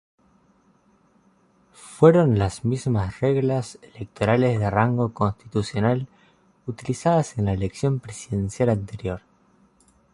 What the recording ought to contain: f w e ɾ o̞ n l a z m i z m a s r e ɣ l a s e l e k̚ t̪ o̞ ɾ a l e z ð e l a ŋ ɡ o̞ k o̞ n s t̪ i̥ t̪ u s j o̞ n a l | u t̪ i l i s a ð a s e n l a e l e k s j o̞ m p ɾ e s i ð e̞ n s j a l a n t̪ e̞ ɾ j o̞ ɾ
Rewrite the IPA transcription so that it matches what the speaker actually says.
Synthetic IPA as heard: f w e ɾ o̞ n l a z m i z m a s r e ɣ l a s e l e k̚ t̪ o̞ ɾ a l e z ð e r a ŋ ɡ o̞ k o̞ n s t̪ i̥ t̪ u s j o̞ n a l | u t̪ i l i s a ð a s e n l a e l e k s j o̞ m p ɾ e s i ð e̞ n s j a l a n t̪ e̞ ɾ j o̞ ɾ